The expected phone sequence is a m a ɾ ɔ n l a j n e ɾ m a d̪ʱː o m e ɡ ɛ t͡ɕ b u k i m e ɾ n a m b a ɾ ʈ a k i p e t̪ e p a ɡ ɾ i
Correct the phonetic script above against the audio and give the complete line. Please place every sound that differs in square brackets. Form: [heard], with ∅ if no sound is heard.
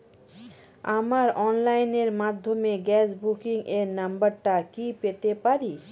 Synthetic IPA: a m a ɾ ɔ n l a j n e ɾ m a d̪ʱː o m e ɡ ɛ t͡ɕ b u k i [ŋ] e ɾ n a m b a ɾ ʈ a k i p e t̪ e p a [∅] ɾ i